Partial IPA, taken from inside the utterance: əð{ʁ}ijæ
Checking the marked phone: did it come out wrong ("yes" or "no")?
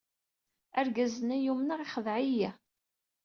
yes